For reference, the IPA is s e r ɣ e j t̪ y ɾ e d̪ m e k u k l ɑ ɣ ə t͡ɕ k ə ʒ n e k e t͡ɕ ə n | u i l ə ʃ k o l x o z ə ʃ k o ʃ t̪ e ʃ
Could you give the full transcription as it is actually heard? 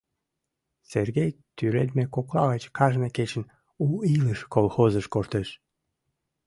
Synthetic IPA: s e r ɣ e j t̪ y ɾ e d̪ m e k o k l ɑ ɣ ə t͡ɕ k ɑ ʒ n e k e t͡ɕ ə n | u i l ə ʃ k o l x o z ə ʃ k o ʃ t̪ e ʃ